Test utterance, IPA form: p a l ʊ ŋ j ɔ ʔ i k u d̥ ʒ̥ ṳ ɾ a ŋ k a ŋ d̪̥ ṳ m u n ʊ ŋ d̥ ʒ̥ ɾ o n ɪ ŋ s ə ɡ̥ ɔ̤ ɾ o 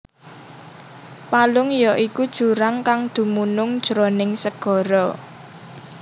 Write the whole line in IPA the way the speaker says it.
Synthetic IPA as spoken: p a l ʊ ŋ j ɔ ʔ i k u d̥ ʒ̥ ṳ ɾ a ŋ k a ŋ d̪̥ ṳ m u n ʊ ŋ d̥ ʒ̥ ɾ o n ɪ ŋ s ə ɡ̥ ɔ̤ ɾ ɔ